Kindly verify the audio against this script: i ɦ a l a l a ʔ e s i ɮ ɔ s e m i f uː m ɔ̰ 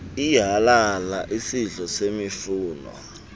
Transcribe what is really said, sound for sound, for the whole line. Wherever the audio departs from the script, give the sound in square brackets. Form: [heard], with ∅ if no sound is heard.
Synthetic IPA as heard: i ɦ a l a l a ʔ [i] s i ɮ ɔ s e m i f uː [n] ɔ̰